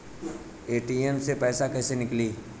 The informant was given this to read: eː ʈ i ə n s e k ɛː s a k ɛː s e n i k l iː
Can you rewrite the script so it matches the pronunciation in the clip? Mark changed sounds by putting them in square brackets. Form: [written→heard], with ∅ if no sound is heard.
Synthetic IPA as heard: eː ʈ i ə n s e [k→p] ɛː s a k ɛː s e n [i→ɪ] k l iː

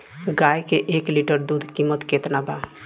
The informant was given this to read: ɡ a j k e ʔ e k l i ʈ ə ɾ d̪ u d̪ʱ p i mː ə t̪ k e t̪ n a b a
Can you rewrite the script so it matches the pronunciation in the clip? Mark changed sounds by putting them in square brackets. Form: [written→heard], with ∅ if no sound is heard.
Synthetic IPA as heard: ɡ a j k e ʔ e k l i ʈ ə ɾ d̪ u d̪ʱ [p→k] i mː ə t̪ k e t̪ n a b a

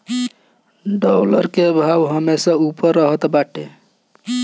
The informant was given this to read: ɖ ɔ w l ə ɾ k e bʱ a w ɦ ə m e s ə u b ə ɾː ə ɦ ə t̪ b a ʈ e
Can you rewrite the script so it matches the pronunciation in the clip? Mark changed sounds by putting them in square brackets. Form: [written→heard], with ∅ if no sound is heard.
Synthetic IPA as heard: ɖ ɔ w l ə ɾ k e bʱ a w ɦ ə m e s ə u [b→p] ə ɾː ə ɦ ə t̪ b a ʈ e

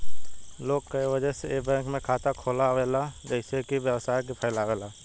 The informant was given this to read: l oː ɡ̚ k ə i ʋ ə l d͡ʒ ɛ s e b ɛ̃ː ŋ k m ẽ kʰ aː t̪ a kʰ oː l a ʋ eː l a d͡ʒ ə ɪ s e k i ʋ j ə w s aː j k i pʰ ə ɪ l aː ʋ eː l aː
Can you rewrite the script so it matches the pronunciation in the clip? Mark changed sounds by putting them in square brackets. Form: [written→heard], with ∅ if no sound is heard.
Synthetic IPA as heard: l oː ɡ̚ k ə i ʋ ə [l→∅] d͡ʒ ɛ s e b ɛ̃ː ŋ k m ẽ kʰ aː t̪ a kʰ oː l a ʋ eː l a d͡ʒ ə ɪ s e k i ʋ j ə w s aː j k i pʰ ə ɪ l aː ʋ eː l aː

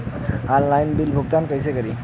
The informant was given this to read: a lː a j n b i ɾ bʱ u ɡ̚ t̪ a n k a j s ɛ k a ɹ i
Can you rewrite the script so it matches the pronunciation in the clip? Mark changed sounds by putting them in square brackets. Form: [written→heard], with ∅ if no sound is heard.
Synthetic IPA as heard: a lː a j n b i [ɾ→l] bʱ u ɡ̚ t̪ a n k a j s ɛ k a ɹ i

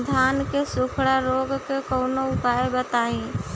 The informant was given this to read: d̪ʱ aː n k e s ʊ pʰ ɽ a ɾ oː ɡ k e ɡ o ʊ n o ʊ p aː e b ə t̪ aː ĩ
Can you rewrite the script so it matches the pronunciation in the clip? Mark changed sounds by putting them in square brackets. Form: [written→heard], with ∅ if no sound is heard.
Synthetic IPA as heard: d̪ʱ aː n k e s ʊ [pʰ→kʰ] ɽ a ɾ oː ɡ k e [ɡ→k] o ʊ n o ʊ p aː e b ə t̪ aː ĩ

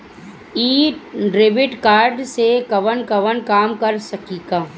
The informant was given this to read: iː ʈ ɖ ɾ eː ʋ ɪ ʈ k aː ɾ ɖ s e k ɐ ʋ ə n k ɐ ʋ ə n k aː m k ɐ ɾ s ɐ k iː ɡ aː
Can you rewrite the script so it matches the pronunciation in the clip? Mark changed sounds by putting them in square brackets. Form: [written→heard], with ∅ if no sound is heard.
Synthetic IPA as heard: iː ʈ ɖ ɾ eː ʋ ɪ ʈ k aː ɾ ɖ s e k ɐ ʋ ə n k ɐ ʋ ə n k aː m k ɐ ɾ s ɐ k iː ɡ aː

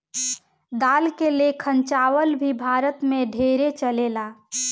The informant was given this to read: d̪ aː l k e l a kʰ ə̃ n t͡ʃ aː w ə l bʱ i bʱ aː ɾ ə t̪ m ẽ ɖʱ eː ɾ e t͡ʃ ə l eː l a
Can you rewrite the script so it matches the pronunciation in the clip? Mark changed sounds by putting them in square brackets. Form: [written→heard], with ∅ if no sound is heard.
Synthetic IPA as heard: d̪ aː l k e l [a→e] kʰ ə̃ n t͡ʃ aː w ə l bʱ i bʱ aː ɾ ə t̪ m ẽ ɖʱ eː ɾ e t͡ʃ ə l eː l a

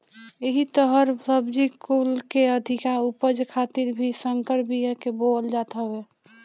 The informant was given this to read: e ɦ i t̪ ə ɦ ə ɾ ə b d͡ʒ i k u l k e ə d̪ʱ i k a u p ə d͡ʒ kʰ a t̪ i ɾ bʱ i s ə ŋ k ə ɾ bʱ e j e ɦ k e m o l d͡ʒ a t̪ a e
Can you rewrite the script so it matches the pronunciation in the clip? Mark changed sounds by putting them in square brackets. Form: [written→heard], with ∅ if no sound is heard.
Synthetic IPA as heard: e ɦ i t̪ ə ɦ ə ɾ ə b d͡ʒ i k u l k e ə d̪ʱ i k a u p ə d͡ʒ kʰ a t̪ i ɾ bʱ i s ə ŋ k ə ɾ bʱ [e→i] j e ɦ k e [m→b] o l d͡ʒ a t̪ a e

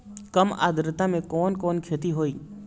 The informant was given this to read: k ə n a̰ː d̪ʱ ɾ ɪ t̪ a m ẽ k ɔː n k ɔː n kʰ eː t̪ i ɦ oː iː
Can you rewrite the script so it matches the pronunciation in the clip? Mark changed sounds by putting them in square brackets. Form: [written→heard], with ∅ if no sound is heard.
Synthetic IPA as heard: k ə [n→m] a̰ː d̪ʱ ɾ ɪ t̪ a m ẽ k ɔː n k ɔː n kʰ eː t̪ i ɦ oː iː

